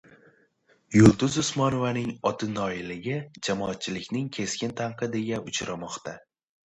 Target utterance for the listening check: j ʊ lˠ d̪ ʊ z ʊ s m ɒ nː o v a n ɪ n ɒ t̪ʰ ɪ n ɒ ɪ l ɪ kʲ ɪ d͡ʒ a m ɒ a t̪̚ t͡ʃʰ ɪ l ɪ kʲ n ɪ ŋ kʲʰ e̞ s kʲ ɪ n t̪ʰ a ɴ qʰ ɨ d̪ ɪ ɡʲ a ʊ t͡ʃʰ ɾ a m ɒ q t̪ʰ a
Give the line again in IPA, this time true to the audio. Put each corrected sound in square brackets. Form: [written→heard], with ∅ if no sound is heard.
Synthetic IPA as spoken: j ʊ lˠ d̪ ʊ z ʊ s m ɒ [nː→n] o v a n ɪ [n→ŋ] ɒ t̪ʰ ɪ n ɒ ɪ l ɪ [kʲ→ɡʲ] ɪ d͡ʒ a m ɒ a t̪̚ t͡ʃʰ ɪ l ɪ kʲ n ɪ ŋ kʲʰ e̞ s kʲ ɪ n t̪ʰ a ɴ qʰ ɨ d̪ ɪ ɡʲ a ʊ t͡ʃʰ ɾ a m ɒ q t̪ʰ a

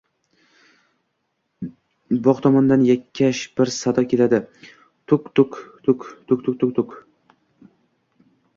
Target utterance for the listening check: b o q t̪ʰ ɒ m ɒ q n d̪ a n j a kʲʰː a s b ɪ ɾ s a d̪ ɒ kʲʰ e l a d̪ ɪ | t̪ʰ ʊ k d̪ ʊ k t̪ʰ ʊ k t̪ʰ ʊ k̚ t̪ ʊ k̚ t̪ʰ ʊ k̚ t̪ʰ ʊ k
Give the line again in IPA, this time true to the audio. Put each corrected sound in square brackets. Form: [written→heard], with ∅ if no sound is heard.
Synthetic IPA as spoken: b [o→ɒ] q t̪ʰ ɒ m ɒ [q→∅] n d̪ a n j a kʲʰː a [s→ʃ] b ɪ ɾ s a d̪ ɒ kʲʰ e l a d̪ ɪ | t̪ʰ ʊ k [d̪→t̪] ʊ k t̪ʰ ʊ k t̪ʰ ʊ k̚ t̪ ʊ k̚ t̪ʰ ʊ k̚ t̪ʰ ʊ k

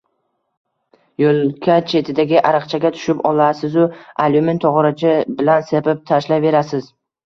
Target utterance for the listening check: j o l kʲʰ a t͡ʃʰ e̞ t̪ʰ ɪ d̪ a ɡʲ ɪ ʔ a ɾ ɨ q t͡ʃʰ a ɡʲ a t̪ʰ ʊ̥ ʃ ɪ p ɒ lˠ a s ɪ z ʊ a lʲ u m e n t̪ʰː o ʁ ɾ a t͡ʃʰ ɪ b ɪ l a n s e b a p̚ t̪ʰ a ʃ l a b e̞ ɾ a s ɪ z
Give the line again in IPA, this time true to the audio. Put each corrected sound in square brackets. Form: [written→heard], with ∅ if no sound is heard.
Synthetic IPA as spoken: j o l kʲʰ a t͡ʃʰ e̞ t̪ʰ ɪ d̪ a ɡʲ ɪ ʔ a ɾ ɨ q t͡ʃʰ a ɡʲ a t̪ʰ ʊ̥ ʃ ɪ p ɒ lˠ a s ɪ z ʊ a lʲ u m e n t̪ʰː [o→ɒ] ʁ ɾ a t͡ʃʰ ɪ b ɪ l a n s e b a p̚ t̪ʰ a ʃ l a [b→v] e̞ ɾ a s ɪ z

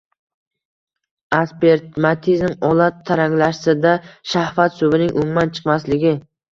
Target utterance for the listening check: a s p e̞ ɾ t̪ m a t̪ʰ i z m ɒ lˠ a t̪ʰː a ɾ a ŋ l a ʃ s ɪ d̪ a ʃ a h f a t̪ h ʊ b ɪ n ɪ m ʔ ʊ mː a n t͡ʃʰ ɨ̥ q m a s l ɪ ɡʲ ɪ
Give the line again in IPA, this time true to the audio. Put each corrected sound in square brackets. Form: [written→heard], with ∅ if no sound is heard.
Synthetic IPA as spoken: a s p e̞ ɾ t̪ m a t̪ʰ i z m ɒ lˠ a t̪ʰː a ɾ a ŋ l a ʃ s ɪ d̪ a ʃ a h f a t̪ [h→s] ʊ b ɪ n ɪ [m→ŋ] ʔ ʊ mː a n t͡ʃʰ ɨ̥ q m a s l ɪ ɡʲ ɪ

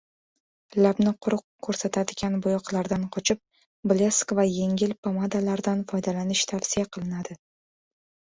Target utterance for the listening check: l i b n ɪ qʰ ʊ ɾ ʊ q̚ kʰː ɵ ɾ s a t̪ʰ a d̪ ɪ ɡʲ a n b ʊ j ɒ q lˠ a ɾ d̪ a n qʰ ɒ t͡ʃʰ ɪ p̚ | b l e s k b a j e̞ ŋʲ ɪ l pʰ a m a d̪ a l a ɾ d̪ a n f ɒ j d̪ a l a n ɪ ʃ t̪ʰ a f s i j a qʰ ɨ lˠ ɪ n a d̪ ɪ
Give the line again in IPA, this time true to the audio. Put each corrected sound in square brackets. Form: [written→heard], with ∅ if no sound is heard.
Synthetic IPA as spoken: l [i→a] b n ɪ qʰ ʊ ɾ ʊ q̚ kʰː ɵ ɾ s a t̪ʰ a d̪ ɪ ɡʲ a n b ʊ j ɒ q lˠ a ɾ d̪ a n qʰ ɒ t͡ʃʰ ɪ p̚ | b l e s k [b→v] a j e̞ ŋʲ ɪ l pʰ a m a d̪ a l a ɾ d̪ a n f ɒ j d̪ a l a n ɪ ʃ t̪ʰ a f s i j a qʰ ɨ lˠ ɪ n a d̪ ɪ

